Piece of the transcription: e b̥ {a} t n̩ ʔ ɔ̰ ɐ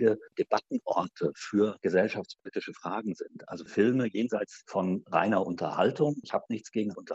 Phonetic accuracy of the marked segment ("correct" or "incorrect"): correct